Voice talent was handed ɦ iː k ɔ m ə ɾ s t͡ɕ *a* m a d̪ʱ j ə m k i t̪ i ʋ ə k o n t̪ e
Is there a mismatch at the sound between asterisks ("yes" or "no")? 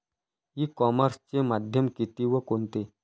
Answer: yes